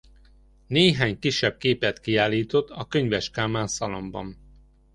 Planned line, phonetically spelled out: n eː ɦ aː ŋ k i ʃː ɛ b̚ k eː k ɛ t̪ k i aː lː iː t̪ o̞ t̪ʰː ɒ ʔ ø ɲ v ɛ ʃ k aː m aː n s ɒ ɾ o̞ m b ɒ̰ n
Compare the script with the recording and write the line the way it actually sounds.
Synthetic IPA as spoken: n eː ɦ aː ɲ k i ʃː ɛ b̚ k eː p ɛ t̪ k i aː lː iː t̪ o̞ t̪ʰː ɒ k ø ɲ v ɛ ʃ k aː m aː n s ɒ l o̞ m b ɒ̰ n

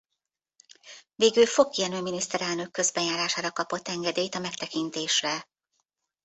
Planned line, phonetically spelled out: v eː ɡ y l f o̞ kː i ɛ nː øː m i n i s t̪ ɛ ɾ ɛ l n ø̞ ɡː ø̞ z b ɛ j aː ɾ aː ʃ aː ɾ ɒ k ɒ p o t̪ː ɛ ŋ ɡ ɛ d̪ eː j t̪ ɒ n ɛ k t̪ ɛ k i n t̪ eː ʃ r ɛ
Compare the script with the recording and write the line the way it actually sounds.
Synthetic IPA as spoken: v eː ɡ y l f o̞ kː i ɛ n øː m i n i s t̪ ɛ ɾ ɛ l n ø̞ kː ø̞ z b ɛ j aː ɾ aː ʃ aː ɾ ɒ k ɒ p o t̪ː ɛ ŋ ɡ ɛ d̪ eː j t̪ ɒ m ɛ k t̪ ɛ k i n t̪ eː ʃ r ɛ

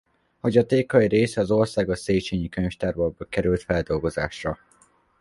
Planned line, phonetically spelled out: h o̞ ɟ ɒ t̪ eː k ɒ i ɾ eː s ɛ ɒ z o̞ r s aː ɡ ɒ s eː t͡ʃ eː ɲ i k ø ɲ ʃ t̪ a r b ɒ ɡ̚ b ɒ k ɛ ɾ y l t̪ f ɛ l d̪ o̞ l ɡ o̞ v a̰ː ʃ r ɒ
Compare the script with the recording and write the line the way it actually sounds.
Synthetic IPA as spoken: h o̞ ɟ ɒ t̪ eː k ɒ i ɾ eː s ɛ ɒ z o̞ r s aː ɡ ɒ s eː t͡ʃ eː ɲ i k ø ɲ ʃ t̪ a r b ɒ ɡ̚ b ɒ k ɛ ɾ y l t̪ f ɛ l d̪ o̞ l ɡ o̞ z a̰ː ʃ r ɒ

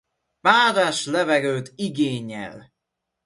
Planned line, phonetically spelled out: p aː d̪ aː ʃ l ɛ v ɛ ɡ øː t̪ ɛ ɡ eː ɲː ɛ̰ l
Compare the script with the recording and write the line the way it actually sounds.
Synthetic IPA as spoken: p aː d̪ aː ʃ l ɛ v ɛ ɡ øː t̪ i ɡ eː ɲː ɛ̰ l

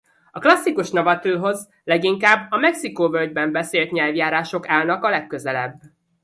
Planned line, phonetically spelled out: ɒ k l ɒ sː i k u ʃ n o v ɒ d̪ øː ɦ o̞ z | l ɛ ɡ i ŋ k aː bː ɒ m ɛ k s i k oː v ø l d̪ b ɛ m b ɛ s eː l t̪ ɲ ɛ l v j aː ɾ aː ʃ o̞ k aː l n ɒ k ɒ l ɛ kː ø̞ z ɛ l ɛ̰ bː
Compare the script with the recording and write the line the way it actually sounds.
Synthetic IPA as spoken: ɒ k l ɒ sː i k u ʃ n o v ɒ t̪ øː ɦ o̞ z | l ɛ ɡ i ŋ k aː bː ɒ m ɛ k s i k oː v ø l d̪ b ɛ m b ɛ s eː l t̪ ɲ ɛ l v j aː ɾ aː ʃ o̞ k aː l n ɒ k ɒ l ɛ kː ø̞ z ɛ l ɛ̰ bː

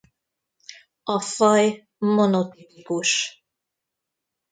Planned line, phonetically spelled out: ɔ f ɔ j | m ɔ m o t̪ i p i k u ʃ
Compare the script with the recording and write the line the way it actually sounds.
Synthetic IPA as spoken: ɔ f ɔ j | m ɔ n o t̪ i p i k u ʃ

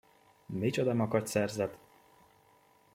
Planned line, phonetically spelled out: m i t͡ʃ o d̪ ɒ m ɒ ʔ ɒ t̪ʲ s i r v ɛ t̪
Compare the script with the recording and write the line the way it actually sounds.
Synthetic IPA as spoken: m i t͡ʃ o d̪ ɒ m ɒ k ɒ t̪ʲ s ɛ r z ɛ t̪

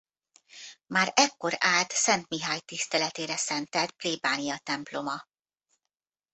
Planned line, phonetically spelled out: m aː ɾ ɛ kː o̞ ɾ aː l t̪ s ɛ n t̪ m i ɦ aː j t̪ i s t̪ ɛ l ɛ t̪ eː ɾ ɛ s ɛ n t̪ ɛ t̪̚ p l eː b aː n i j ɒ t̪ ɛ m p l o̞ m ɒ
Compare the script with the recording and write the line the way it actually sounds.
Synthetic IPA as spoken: m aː ɾ ɛ kː o̞ ɾ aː l t̪ s ɛ n t̪ m i ɦ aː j t̪ i s t̪ ɛ l ɛ t̪ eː ɾ ɛ s ɛ n t̪ ɛ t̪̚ p l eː b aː n i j ɒ t̪ ɛ m p l o̞ m ɒ

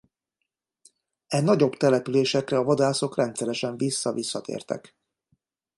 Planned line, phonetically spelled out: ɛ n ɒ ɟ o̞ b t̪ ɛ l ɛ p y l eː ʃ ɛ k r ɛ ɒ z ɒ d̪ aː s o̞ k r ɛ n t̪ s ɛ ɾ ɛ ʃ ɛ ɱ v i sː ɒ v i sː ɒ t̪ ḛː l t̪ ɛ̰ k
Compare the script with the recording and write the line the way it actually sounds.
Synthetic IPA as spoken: ɛ n ɒ ɟ o̞ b t̪ ɛ l ɛ p y l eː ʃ ɛ k r ɛ ɒ v ɒ d̪ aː s o̞ k r ɛ n t̪ s ɛ ɾ ɛ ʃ ɛ ɱ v i sː ɒ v i sː ɒ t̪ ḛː r t̪ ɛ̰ k

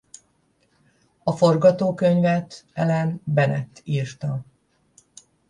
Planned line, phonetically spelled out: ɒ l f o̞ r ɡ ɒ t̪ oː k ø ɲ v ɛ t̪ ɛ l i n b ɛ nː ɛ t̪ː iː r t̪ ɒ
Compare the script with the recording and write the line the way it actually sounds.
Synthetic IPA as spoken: ɒ f o̞ r ɡ ɒ t̪ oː k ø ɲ v ɛ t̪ ɛ l ɛ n b ɛ n ɛ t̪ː iː r t̪ ɒ

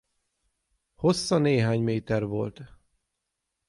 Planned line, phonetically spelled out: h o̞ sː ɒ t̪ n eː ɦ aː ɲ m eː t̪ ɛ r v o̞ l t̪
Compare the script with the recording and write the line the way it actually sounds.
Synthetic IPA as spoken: h o̞ sː ɒ n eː ɦ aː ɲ m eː t̪ ɛ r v o̞ l t̪

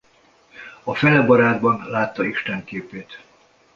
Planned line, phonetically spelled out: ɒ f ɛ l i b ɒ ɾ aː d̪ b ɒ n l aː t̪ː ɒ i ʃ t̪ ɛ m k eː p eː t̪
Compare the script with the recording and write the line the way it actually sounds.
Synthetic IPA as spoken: ɒ f ɛ l ɛ b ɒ ɾ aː d̪ b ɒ n l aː t̪ː ɒ i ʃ t̪ ɛ ŋ k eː p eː t̪

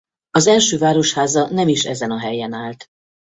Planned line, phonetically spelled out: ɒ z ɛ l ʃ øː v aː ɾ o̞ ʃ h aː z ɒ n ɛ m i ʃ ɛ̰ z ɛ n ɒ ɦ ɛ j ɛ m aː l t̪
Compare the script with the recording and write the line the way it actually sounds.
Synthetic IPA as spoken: ɒ z ɛ l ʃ øː v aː ɾ o̞ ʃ h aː z ɒ n ɛ m i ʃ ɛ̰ z ɛ n ɒ ɦ ɛ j ɛ n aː l t̪

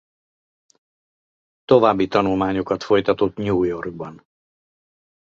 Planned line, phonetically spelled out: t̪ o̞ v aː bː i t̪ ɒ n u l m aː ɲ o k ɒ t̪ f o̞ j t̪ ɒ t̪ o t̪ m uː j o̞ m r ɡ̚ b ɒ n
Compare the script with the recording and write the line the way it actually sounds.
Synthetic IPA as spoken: t̪ o̞ v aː bː i t̪ ɒ n u l m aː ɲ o k ɒ t̪ f o̞ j t̪ ɒ t̪ o t̪ ɲ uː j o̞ r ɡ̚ b ɒ n

